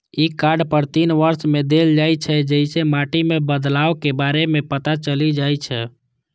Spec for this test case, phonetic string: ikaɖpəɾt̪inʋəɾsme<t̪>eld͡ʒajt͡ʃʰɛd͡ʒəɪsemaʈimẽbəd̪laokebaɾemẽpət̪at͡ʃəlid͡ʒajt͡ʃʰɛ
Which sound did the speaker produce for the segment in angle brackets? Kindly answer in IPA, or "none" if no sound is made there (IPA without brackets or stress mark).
d̪